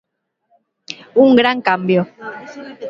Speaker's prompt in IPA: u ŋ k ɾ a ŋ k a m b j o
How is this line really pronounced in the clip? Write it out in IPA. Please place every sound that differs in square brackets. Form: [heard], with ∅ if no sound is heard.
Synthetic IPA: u ŋ [ɡ] ɾ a ŋ k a m b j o